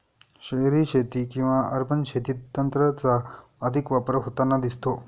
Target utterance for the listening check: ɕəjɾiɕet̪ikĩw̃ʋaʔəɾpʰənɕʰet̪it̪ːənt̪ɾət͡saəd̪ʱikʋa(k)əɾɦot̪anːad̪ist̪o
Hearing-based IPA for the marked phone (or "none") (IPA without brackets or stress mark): p